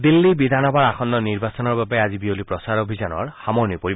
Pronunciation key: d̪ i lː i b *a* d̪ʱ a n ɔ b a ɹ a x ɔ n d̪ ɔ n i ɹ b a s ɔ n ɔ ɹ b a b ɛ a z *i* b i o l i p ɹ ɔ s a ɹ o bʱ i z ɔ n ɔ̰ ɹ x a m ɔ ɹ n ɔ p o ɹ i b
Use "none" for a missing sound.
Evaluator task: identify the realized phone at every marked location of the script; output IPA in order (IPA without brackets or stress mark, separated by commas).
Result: i, i